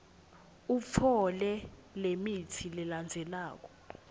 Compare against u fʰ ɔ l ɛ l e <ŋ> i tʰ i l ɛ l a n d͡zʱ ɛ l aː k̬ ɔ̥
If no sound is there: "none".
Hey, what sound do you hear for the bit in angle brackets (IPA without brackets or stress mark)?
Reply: m